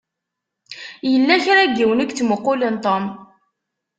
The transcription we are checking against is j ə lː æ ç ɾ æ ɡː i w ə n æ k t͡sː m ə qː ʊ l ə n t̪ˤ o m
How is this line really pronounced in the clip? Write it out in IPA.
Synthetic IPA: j ə lː æ ç ɾ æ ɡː i w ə n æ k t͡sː m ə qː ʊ l ə n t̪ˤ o m